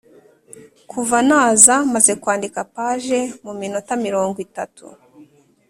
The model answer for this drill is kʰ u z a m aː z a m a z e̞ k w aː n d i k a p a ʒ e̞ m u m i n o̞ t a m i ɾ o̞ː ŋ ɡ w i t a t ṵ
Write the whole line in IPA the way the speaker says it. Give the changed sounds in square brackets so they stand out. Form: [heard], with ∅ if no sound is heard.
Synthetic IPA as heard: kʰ u [v] a [n] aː z a m a z e̞ k w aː n d i k a p a ʒ e̞ m u m i n o̞ t a m i ɾ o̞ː ŋ ɡ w i t a t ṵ